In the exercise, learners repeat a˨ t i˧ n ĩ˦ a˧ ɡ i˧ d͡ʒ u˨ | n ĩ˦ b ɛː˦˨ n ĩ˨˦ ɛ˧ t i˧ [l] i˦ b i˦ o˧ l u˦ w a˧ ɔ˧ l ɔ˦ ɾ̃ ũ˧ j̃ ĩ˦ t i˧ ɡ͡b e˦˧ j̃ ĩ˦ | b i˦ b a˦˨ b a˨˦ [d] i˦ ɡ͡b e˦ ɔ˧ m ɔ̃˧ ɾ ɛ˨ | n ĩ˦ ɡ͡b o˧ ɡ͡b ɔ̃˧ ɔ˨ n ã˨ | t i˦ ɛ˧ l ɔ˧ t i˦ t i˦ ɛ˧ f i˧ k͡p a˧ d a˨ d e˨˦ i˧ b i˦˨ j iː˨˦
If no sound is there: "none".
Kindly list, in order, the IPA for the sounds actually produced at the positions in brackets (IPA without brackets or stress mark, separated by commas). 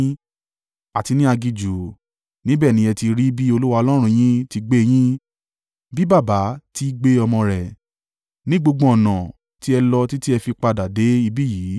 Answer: ɾ, t